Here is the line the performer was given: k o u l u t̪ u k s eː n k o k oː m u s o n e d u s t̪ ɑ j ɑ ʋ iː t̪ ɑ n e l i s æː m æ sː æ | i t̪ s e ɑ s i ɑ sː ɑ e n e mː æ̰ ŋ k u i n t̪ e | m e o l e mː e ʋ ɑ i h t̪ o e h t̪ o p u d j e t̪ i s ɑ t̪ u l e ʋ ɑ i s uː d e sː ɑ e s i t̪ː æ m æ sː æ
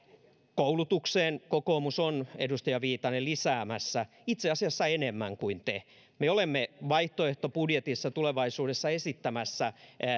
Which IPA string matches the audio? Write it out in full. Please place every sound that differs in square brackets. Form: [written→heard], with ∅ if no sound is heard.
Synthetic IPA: k o u l u t̪ u k s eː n k o k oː m u s o n e d u s t̪ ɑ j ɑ ʋ iː t̪ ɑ n e l i s æː m æ sː æ | i t̪ s e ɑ s i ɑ sː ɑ e n e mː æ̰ ŋ k u i n t̪ e | m e o l e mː e ʋ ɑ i h t̪ o e h t̪ o p u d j e t̪ i [s→sː] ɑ t̪ u l e ʋ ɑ i s uː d e sː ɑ e s i t̪ː æ m æ sː æ